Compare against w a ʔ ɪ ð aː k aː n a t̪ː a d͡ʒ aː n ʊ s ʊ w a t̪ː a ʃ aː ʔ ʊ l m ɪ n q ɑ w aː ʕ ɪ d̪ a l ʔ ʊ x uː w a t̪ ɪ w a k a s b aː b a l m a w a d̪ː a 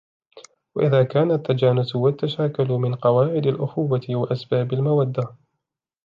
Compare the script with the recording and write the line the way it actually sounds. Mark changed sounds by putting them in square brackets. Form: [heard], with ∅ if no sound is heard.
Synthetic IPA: w a ʔ ɪ ð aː k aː n a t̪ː a d͡ʒ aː n ʊ s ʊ w a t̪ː a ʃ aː [k] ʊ l m ɪ n q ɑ w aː ʕ ɪ d̪ a l ʔ ʊ x uː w a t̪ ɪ w a [ʔ] a s b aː b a l m a w a d̪ː a

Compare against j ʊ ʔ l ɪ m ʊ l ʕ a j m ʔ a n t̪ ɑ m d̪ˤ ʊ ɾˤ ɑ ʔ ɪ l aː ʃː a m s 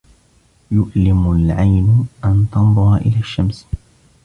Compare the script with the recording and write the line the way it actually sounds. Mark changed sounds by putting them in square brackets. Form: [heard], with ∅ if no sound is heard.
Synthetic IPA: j ʊ ʔ l ɪ m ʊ l ʕ a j [n] ʔ a n t̪ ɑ [n] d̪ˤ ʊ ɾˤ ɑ ʔ ɪ l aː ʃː a m s

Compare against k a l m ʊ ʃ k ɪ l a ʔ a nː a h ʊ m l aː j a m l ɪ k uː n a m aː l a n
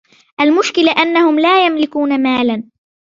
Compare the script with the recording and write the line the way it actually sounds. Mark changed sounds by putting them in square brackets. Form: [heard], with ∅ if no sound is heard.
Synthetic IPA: [ʔ] a l m ʊ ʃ k ɪ l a ʔ a nː a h ʊ m l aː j a m l ɪ k uː n a m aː l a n

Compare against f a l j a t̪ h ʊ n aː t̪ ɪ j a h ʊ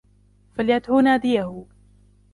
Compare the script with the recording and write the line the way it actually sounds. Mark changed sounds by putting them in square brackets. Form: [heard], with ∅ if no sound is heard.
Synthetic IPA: f a l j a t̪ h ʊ n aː [d̪] ɪ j a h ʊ

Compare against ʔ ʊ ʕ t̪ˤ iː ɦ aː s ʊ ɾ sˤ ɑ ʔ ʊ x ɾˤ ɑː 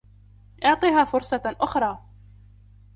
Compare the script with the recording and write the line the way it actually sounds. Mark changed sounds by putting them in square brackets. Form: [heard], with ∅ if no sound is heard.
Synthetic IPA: ʔ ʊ ʕ t̪ˤ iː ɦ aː [f] ʊ ɾ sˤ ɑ ʔ ʊ x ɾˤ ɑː

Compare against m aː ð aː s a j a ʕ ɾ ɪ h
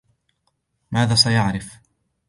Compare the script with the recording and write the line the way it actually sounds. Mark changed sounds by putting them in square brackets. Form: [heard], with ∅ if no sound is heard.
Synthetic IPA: m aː ð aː s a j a ʕ ɾ ɪ [f]

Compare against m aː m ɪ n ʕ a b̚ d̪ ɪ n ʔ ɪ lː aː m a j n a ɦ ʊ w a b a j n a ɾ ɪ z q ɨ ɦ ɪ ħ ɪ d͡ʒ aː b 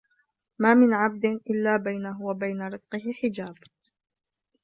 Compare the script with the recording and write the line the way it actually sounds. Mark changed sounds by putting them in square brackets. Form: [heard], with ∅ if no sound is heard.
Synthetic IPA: m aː m ɪ n ʕ a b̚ d̪ ɪ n ʔ ɪ lː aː [b] a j n a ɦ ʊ w a b a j n a ɾ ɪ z q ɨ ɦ ɪ ħ ɪ d͡ʒ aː b

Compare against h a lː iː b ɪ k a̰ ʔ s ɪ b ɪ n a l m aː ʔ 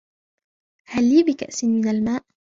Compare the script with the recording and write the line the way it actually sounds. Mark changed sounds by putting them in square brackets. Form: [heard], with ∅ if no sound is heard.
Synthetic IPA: h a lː iː b ɪ k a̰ ʔ s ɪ [m] ɪ n a l m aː ʔ

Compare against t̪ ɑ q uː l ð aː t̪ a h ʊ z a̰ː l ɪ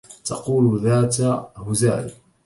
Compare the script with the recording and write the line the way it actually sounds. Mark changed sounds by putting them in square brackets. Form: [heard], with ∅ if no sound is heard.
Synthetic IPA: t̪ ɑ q uː l ð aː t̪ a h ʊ z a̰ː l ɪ

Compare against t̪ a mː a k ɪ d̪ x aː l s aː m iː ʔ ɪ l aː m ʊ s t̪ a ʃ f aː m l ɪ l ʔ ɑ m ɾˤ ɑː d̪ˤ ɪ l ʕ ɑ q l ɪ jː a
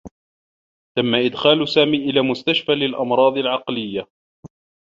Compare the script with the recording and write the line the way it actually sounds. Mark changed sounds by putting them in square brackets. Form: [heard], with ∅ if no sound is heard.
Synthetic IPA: t̪ a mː a [ʔ] ɪ d̪ x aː l s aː m iː ʔ ɪ l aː m ʊ s t̪ a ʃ f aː [∅] l ɪ l ʔ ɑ m ɾˤ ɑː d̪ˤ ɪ l ʕ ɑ q l ɪ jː a

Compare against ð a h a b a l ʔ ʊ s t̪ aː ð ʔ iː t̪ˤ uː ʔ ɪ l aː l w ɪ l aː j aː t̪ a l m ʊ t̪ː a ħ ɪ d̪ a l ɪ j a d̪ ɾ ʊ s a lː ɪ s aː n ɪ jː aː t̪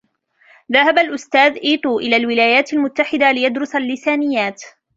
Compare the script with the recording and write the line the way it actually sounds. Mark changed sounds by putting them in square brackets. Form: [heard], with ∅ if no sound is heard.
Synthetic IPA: ð a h a b a l ʔ ʊ s t̪ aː ð ʔ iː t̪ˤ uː ʔ ɪ l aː l w ɪ l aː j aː t̪ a l m ʊ t̪ː a ħ ɪ d̪ a l ɪ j a d̪ ɾ ʊ s a lː ɪ s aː n ɪ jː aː t̪

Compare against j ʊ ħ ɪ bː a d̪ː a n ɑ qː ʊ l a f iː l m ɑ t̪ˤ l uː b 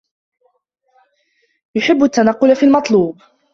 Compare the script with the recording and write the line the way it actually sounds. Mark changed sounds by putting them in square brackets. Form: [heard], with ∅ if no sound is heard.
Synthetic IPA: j ʊ ħ ɪ bː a [t̪ː] a n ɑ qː ʊ l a f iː l m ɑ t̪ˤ l uː b

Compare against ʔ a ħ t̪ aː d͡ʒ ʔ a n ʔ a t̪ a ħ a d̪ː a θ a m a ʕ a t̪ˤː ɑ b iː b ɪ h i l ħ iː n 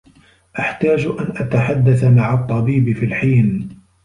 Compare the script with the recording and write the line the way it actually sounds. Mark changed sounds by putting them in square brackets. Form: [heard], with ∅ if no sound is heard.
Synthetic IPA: ʔ a ħ t̪ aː d͡ʒ ʔ a n ʔ a t̪ a ħ a d̪ː a θ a m a ʕ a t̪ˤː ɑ b iː b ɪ [f] i l ħ iː n

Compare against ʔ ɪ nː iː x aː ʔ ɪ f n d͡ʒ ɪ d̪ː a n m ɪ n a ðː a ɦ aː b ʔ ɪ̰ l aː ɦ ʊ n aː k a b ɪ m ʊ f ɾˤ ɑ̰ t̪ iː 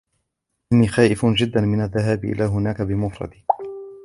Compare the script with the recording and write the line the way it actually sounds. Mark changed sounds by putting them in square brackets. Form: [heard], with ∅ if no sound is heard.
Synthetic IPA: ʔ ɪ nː iː x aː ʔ ɪ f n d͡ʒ ɪ d̪ː a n m ɪ n a ðː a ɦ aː b ʔ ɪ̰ l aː ɦ ʊ n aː k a b ɪ m ʊ f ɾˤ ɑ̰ [d̪] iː

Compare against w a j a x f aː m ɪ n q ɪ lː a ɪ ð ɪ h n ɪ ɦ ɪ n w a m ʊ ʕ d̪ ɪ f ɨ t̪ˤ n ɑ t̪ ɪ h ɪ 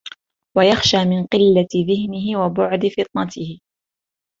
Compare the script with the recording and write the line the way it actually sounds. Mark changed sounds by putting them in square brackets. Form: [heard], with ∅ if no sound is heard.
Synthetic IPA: w a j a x [ʃ] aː m ɪ n q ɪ lː a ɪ ð ɪ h n ɪ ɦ ɪ [∅] w a [b] ʊ ʕ d̪ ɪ f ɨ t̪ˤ n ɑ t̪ ɪ h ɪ

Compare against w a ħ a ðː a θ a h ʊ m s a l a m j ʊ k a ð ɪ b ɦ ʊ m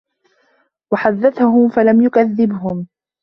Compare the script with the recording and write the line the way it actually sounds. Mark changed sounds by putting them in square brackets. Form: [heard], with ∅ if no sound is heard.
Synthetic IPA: w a ħ a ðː a θ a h ʊ m [f] a l a m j ʊ k a [ðː] ɪ b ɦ ʊ m

